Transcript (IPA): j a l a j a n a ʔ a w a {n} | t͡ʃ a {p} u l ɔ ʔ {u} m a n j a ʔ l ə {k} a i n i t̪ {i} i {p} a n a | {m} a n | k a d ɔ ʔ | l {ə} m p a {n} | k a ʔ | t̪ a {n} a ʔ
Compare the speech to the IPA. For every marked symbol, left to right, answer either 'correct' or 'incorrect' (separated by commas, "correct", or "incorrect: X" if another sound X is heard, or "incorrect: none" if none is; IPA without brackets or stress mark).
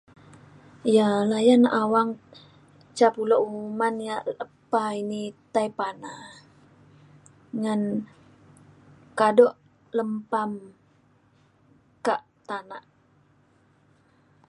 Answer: incorrect: ŋ, correct, correct, incorrect: p, incorrect: a, correct, incorrect: ŋ, correct, incorrect: m, correct